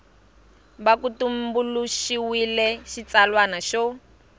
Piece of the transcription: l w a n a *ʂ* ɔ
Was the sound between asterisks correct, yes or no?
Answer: no